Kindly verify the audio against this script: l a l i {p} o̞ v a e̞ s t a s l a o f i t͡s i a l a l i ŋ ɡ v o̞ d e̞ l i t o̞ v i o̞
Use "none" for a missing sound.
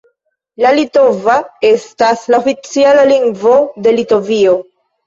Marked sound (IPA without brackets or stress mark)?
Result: t